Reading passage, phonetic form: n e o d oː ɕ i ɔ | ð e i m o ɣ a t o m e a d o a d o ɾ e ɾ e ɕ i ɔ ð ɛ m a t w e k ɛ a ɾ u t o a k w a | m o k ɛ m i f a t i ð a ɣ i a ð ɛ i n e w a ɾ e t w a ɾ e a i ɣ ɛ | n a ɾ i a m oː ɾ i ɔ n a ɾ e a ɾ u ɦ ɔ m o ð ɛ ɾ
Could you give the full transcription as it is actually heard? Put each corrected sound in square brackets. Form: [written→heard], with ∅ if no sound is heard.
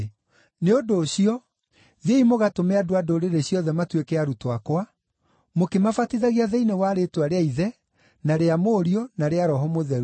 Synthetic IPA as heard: n e o d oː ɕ i ɔ | ð e i m o ɣ a t o m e a d o a d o ɾ e ɾ e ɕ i ɔ ð ɛ m a t w e k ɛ a ɾ u t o a k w a | m o k [ɛ→e] m [i→a] f a t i ð a ɣ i a ð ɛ i n e w a ɾ e t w a ɾ e a i [ɣ→ð] ɛ | n a ɾ [i→e] a m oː ɾ i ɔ n a ɾ e a ɾ [u→ɔ] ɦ ɔ m o ð ɛ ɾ